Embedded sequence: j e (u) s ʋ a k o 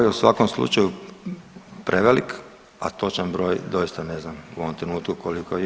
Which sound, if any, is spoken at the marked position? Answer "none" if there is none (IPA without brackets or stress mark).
u